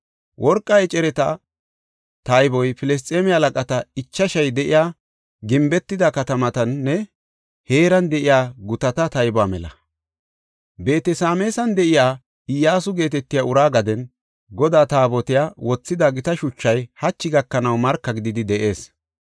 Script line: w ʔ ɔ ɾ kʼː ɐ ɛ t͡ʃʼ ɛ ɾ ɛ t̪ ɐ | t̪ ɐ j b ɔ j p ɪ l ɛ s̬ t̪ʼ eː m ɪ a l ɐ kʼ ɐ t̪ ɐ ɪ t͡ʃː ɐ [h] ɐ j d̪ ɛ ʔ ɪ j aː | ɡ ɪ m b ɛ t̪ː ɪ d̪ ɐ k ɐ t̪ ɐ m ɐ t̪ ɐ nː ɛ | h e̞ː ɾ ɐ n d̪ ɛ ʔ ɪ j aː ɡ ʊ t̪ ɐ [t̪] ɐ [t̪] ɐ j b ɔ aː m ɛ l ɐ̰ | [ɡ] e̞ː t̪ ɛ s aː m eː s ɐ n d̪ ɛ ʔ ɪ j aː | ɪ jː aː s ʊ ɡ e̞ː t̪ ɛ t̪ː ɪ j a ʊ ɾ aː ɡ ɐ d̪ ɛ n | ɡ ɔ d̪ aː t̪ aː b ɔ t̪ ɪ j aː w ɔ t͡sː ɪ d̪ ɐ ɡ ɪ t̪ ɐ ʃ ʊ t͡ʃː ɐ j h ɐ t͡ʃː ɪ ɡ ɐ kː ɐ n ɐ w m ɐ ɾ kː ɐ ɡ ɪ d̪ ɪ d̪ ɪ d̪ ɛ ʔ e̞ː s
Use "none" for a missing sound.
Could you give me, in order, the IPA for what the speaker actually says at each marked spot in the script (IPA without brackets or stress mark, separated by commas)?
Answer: ʃ, t̪, t̪, b